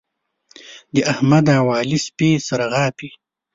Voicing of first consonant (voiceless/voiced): voiced